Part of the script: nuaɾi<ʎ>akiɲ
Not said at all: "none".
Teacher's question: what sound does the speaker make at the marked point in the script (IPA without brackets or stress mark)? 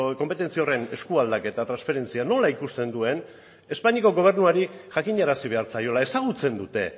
ʝ